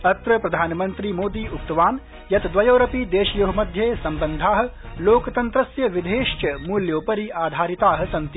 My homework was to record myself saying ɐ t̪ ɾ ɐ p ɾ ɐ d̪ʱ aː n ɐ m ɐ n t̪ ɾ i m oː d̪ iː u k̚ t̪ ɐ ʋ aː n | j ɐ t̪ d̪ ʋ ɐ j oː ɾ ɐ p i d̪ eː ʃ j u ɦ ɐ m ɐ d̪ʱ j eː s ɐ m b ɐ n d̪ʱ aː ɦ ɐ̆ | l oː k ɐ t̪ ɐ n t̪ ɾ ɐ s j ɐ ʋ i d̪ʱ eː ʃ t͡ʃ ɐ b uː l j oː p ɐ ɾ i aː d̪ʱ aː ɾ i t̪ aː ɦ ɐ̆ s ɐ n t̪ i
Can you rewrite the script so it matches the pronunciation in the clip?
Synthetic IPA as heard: ɐ t̪ ɾ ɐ p ɾ ɐ d̪ʱ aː n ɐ m ɐ n t̪ ɾ i m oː d̪ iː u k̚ t̪ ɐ ʋ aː n | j ɐ t̪ d̪ ʋ ɐ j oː ɾ ɐ p i d̪ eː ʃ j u ɦ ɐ m ɐ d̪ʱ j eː s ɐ m b ɐ n d̪ʱ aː ɦ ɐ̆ | l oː k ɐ t̪ ɐ n t̪ ɾ ɐ s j ɐ ʋ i d̪ʱ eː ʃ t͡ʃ ɐ m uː l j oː p ɐ ɾ i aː d̪ʱ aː ɾ i t̪ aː ɦ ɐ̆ s ɐ n t̪ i